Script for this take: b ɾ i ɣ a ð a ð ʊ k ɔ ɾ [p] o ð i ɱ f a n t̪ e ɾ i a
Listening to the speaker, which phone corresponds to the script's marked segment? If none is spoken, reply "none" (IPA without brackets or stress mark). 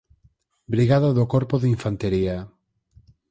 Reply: p